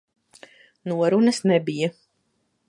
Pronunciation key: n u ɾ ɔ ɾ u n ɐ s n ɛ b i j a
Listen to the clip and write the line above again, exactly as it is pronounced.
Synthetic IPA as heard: n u ɔ ɾ u n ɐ s n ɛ b i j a